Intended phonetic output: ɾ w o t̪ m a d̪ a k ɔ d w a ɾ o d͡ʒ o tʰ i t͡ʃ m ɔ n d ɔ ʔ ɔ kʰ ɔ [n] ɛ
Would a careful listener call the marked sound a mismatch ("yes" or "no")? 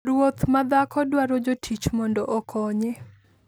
yes